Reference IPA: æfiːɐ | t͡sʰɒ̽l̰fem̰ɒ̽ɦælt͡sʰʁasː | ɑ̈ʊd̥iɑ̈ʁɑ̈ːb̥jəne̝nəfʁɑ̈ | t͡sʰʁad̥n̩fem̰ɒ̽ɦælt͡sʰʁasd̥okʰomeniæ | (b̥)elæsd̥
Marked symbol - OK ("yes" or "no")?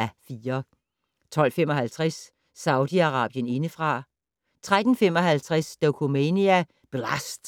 yes